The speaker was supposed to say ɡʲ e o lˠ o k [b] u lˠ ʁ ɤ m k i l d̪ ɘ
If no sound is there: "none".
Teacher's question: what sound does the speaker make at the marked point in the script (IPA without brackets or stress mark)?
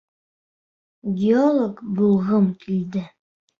b